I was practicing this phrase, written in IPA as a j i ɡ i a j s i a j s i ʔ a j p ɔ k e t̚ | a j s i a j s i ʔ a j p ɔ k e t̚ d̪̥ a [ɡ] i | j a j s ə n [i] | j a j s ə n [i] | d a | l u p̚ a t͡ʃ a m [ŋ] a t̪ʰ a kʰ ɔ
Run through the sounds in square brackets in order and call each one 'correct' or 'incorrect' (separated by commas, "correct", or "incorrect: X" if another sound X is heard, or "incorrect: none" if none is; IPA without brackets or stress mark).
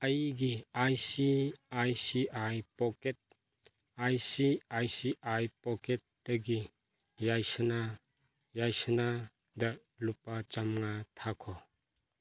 correct, incorrect: a, incorrect: a, correct